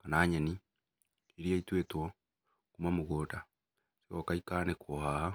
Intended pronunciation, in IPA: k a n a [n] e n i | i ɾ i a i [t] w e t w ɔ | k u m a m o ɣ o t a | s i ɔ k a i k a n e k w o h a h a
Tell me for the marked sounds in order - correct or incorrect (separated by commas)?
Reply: incorrect, correct